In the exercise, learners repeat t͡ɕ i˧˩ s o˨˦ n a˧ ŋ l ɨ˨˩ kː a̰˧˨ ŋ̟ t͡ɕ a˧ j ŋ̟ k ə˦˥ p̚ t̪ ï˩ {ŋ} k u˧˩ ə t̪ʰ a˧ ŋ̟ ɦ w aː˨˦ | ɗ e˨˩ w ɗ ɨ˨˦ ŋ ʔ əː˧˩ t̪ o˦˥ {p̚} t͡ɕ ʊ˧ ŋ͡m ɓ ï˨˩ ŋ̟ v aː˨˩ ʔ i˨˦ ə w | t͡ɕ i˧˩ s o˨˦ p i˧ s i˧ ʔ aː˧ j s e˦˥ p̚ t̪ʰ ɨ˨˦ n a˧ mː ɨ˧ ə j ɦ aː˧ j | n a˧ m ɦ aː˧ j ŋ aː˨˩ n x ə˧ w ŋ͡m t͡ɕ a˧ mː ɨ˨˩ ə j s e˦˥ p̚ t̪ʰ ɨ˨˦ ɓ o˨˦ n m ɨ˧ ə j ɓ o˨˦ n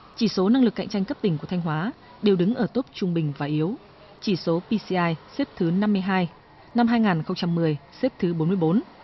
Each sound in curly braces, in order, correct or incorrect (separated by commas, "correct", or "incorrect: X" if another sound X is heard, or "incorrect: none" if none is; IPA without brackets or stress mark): correct, correct